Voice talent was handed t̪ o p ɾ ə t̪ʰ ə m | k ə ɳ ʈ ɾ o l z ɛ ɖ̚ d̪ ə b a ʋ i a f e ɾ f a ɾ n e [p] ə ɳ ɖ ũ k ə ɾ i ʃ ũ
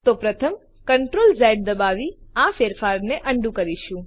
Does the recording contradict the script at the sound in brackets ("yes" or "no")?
yes